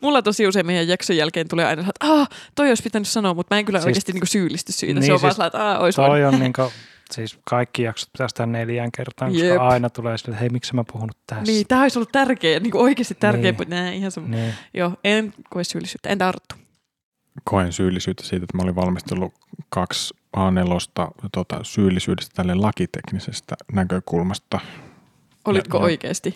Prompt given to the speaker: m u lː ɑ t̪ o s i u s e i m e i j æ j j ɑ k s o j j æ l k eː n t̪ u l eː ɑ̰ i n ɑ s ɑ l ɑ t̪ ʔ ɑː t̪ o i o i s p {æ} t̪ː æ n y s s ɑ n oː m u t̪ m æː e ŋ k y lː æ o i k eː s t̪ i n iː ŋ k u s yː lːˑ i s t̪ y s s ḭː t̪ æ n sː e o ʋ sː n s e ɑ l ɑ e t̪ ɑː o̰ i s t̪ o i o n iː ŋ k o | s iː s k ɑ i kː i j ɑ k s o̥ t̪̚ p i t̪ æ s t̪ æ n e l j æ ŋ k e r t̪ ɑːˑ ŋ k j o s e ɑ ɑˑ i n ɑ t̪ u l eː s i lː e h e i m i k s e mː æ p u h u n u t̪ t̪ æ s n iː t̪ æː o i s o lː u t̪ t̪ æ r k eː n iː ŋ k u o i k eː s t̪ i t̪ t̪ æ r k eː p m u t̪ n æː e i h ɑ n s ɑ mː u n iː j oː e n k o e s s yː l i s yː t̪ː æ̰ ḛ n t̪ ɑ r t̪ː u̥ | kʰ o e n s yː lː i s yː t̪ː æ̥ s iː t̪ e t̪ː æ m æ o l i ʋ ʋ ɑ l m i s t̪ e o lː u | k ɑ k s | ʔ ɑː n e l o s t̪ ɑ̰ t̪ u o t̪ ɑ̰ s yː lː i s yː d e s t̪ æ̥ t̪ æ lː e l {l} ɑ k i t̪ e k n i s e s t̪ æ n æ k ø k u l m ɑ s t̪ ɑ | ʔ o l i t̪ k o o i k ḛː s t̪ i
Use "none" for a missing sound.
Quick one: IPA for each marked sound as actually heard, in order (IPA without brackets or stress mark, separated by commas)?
i, l